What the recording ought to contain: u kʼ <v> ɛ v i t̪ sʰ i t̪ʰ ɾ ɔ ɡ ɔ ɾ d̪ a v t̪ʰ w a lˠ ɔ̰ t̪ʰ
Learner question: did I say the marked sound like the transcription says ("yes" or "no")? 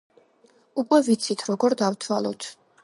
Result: no